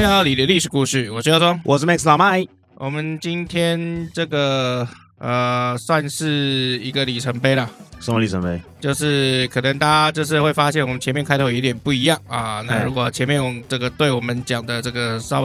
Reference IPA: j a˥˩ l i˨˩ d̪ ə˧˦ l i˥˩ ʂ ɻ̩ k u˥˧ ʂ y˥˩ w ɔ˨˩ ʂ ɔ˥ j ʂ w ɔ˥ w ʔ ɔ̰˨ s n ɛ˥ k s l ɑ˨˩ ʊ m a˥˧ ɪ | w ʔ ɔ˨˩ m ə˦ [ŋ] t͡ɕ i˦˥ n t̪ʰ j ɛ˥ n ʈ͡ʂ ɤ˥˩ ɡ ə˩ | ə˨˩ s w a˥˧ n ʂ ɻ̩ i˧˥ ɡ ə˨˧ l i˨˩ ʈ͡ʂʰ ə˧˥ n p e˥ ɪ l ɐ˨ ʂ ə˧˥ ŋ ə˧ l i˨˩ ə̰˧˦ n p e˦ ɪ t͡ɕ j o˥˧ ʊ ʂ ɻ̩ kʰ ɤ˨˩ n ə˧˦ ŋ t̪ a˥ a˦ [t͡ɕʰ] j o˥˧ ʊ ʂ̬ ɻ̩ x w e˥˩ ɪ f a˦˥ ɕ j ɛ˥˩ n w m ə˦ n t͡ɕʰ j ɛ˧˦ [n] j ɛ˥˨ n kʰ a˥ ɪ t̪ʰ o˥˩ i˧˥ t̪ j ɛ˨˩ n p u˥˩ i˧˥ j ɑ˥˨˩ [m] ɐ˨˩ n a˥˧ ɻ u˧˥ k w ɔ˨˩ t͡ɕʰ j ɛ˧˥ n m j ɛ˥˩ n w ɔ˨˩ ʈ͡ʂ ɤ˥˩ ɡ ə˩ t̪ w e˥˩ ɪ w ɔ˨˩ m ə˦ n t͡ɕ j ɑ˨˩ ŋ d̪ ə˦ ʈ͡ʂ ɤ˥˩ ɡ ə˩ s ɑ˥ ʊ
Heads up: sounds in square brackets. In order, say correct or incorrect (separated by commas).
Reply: incorrect, incorrect, incorrect, incorrect